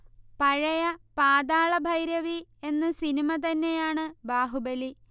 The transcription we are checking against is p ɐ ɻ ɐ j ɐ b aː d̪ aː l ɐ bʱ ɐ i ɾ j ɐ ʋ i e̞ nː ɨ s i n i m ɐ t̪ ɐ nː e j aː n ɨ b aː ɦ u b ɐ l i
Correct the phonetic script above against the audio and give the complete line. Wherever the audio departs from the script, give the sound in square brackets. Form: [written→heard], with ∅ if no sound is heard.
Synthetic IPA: p ɐ ɻ ɐ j ɐ [b→p] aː d̪ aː [l→ɭ] ɐ bʱ ɐ [i→j] ɾ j ɐ ʋ i e̞ nː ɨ s i n i m ɐ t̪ ɐ nː e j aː [n→ɳ] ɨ b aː ɦ u b ɐ l i